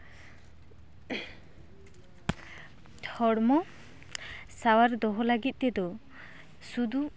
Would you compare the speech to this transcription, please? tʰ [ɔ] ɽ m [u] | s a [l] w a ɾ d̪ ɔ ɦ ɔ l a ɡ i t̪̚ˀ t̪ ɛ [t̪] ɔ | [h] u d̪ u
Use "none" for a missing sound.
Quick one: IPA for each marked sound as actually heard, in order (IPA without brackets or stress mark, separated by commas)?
ɔ, ɔ, none, d̪, s